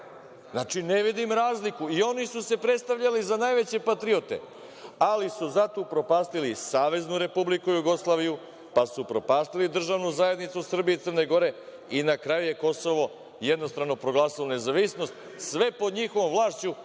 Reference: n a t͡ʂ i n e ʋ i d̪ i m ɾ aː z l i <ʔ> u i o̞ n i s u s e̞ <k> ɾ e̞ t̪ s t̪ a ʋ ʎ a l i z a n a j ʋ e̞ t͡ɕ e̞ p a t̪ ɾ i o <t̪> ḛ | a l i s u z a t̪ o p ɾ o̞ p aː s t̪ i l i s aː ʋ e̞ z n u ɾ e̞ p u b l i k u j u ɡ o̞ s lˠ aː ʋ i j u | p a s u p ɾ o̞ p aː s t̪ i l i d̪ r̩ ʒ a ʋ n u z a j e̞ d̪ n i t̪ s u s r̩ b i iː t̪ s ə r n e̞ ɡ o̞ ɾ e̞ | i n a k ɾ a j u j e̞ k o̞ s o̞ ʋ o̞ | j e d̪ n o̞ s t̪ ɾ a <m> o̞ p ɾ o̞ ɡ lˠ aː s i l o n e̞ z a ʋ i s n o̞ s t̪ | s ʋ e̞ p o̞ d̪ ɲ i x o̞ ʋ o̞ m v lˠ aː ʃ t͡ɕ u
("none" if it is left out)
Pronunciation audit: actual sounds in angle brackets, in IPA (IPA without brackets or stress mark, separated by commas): k, p, t̪, n